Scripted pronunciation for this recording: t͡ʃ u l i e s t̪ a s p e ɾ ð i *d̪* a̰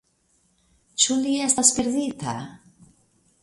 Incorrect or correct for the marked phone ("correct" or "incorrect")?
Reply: incorrect